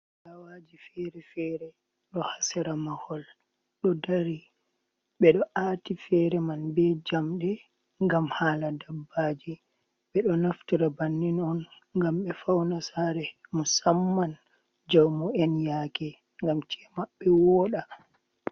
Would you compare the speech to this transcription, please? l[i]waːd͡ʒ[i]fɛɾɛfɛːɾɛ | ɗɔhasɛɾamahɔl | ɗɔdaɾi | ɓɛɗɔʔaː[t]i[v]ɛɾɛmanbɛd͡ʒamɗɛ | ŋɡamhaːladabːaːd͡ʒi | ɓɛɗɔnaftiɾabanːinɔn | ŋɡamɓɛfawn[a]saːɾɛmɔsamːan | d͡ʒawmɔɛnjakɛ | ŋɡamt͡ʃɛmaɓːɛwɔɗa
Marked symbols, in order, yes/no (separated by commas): no, yes, yes, no, yes